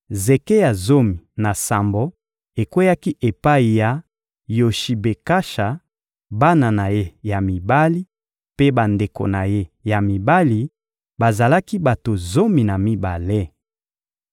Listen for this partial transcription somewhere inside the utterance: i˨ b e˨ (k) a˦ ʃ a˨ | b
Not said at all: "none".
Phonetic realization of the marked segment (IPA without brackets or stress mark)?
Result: k